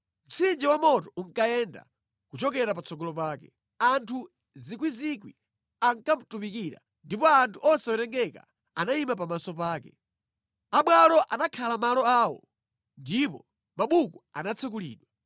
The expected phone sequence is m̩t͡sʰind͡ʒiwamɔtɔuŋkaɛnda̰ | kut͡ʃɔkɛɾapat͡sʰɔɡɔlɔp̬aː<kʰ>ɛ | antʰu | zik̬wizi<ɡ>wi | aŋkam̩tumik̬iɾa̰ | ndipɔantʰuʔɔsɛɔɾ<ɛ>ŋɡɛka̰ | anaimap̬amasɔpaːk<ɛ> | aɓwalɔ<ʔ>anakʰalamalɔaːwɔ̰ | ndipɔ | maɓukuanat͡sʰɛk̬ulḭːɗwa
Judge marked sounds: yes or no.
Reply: no, no, yes, yes, yes

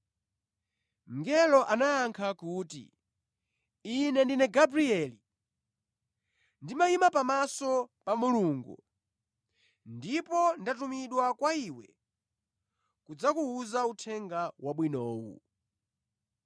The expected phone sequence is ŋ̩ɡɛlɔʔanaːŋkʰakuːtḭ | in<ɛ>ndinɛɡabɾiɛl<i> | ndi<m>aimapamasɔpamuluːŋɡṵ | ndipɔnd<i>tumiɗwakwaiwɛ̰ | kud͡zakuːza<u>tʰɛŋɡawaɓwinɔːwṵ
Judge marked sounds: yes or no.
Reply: yes, yes, yes, no, yes

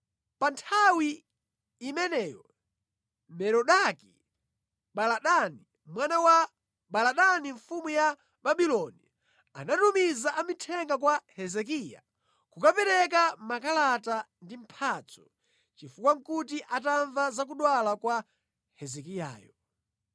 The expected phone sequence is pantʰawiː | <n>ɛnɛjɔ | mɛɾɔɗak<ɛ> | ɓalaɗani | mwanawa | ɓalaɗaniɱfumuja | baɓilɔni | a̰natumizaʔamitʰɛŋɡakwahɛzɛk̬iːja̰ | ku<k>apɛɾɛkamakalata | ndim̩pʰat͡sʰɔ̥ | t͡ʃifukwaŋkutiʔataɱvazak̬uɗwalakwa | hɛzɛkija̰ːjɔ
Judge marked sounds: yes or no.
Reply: no, no, yes

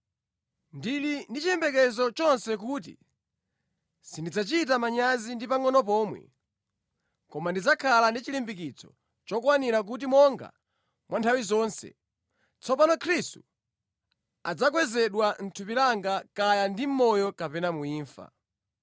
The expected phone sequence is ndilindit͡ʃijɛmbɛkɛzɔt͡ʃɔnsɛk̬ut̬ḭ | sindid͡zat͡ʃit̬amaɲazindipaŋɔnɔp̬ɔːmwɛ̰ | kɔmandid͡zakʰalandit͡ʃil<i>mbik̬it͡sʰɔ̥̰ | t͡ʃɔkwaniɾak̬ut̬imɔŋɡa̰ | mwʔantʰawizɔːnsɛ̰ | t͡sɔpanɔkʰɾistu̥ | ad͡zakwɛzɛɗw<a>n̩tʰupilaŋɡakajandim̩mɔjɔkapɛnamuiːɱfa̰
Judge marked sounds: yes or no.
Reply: yes, yes

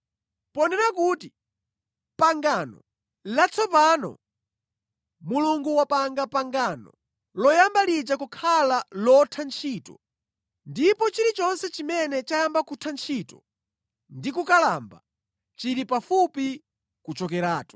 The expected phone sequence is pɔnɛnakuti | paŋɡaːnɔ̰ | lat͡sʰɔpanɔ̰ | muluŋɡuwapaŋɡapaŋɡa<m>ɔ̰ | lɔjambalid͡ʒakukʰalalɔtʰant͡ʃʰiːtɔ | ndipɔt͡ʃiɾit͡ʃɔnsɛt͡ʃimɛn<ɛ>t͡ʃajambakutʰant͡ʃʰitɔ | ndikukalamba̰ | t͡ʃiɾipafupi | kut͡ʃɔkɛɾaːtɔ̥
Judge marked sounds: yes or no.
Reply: no, yes

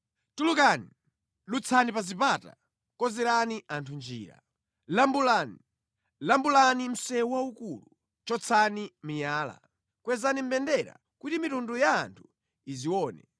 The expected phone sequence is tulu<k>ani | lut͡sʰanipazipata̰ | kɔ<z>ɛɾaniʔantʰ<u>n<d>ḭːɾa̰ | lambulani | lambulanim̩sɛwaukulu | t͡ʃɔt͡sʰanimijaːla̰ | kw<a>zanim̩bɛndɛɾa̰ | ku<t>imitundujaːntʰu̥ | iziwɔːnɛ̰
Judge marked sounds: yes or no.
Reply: yes, yes, yes, no, no, yes

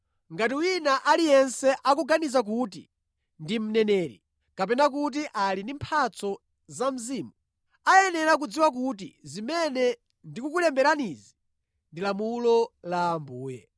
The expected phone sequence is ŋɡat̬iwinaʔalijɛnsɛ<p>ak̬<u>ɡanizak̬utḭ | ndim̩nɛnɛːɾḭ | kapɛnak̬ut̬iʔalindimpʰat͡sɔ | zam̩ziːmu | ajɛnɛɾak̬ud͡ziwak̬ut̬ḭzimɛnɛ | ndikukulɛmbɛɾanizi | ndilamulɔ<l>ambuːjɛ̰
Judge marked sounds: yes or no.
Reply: no, yes, yes

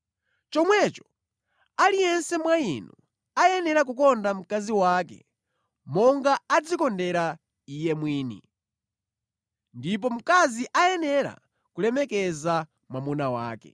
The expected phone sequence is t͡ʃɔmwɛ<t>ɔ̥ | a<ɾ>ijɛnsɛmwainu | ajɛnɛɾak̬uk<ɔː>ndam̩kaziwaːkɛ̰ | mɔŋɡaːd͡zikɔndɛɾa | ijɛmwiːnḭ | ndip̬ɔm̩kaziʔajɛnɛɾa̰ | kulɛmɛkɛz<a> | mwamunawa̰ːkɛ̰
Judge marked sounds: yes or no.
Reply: no, no, no, yes

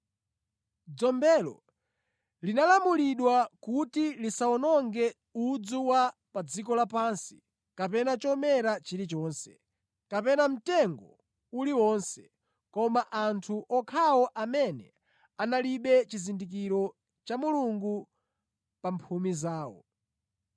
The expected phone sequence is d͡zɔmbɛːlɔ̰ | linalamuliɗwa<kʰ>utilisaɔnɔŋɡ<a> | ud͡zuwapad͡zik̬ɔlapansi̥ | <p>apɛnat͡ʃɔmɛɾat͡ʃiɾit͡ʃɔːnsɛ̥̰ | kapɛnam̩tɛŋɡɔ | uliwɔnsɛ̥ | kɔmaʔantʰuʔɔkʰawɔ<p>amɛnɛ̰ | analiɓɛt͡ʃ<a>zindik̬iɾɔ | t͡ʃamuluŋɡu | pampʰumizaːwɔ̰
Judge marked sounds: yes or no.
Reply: no, no, no, no, no

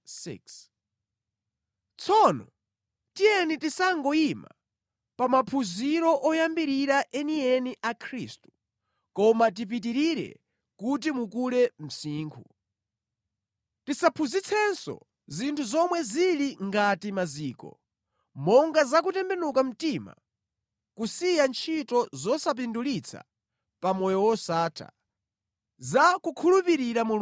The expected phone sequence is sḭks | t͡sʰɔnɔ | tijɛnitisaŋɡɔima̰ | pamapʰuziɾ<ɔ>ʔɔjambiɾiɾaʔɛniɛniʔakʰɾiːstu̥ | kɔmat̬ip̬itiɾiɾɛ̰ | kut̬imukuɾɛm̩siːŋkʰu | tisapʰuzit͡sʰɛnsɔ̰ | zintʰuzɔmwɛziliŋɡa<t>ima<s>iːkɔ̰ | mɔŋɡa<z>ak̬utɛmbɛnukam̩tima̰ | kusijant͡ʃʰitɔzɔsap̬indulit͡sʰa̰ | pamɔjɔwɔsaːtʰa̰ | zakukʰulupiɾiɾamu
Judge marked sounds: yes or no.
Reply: yes, yes, no, yes

